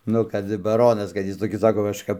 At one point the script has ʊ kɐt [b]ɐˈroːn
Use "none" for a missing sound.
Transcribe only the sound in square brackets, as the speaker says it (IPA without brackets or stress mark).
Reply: b